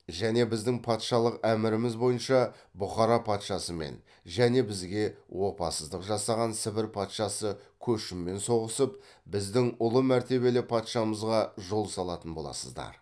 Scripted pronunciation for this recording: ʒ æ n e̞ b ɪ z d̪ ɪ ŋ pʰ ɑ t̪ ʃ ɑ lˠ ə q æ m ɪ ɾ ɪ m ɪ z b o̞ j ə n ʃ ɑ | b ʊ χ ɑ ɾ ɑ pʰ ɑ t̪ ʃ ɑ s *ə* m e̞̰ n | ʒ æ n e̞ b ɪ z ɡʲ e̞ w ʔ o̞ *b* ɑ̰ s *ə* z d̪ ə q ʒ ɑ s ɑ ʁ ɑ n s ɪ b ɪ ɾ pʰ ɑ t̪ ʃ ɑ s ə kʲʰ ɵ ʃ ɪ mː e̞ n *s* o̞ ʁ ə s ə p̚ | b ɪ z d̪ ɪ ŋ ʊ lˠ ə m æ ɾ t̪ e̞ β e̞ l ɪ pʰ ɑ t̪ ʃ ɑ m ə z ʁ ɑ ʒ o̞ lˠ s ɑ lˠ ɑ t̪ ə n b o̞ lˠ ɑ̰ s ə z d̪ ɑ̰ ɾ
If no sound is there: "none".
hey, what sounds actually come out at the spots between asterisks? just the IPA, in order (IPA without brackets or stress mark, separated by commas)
ə, p, ə, s